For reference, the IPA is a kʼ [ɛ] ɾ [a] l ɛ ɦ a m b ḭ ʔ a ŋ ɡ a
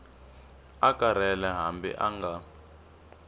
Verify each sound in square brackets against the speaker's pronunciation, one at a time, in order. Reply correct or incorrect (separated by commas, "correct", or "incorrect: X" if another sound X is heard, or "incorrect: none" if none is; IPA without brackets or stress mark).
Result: incorrect: a, incorrect: ɛ